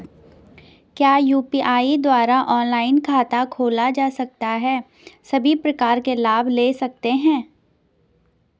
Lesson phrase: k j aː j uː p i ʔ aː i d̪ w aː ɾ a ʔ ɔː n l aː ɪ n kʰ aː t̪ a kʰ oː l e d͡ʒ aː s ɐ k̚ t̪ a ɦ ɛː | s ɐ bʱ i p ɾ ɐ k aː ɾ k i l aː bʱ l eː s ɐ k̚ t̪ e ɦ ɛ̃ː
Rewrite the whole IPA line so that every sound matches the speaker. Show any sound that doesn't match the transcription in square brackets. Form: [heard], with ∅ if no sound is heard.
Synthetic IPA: k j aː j uː p i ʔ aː i d̪ w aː ɾ a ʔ ɔː n l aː ɪ n kʰ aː t̪ a kʰ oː l [a] d͡ʒ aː s ɐ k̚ t̪ a ɦ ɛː | s ɐ bʱ i p ɾ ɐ k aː ɾ k [e] l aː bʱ l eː s ɐ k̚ t̪ e ɦ ɛ̃ː